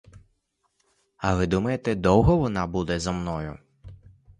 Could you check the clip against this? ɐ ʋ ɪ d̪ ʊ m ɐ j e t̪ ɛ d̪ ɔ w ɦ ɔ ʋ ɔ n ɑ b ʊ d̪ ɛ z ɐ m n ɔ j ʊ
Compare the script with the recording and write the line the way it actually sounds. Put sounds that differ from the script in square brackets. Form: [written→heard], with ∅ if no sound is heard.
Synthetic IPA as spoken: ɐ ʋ ɪ d̪ [ʊ→u] m ɐ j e t̪ ɛ d̪ ɔ w ɦ ɔ ʋ ɔ n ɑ b [ʊ→u] d̪ ɛ z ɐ m n ɔ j ʊ